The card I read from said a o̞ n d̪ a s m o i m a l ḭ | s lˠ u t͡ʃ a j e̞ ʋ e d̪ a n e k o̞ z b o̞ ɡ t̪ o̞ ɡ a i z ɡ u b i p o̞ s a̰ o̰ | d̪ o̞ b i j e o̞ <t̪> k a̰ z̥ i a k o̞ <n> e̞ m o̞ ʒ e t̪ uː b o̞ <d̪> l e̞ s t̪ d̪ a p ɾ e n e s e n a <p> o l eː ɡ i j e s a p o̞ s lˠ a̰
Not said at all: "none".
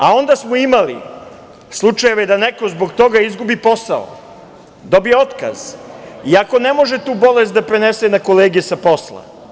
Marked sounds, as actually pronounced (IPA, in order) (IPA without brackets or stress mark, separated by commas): t̪, n, none, k